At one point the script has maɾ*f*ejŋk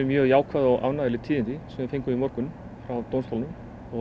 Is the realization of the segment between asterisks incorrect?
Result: no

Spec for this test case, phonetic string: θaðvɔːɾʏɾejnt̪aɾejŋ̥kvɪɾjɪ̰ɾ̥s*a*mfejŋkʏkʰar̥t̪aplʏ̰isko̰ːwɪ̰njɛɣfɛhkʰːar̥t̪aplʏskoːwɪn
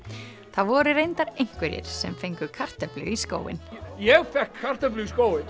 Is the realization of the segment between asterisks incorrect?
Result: yes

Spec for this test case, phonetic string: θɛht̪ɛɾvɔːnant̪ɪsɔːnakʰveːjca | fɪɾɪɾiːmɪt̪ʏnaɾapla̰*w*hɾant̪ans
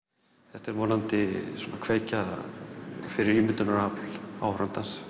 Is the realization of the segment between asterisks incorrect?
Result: no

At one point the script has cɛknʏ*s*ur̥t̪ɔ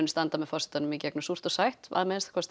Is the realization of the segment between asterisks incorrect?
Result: no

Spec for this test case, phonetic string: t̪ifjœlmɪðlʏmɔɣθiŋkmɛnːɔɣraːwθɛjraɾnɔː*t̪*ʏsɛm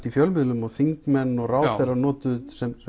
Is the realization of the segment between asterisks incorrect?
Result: no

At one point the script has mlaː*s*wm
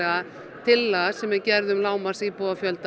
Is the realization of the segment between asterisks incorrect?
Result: yes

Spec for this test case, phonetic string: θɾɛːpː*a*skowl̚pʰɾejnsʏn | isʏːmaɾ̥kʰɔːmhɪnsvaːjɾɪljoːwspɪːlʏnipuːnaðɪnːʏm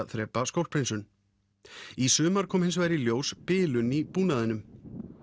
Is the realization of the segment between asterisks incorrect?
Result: no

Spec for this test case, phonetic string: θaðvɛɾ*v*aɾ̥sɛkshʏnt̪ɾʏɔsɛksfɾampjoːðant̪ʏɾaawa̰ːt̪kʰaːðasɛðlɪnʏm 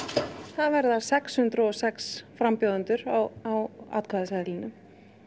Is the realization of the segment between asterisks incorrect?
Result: yes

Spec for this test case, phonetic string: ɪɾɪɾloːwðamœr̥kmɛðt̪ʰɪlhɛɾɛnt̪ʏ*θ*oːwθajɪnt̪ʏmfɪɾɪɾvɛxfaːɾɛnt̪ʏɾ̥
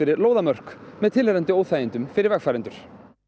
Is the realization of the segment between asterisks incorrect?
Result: yes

